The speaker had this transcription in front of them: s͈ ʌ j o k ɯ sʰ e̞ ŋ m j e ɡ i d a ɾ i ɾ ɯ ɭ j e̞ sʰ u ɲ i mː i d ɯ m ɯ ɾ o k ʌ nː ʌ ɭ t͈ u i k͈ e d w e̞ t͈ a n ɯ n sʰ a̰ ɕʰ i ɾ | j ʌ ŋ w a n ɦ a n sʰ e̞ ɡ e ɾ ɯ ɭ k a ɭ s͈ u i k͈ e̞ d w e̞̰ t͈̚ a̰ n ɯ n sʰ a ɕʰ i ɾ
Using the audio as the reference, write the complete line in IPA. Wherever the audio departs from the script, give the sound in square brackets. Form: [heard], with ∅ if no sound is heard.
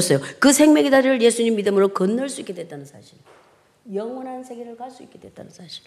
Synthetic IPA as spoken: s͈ ʌ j o k ɯ sʰ e̞ ŋ m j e ɡ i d a ɾ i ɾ ɯ ɭ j e̞ sʰ u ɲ i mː i d ɯ m ɯ ɾ o k ʌ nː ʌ ɭ [s͈] u i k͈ e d w e̞ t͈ a n ɯ n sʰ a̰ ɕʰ i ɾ | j ʌ ŋ w [ʌ] n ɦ a n sʰ e̞ ɡ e ɾ ɯ ɭ k a ɭ s͈ u i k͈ e̞ d w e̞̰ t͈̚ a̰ n ɯ n sʰ a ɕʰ i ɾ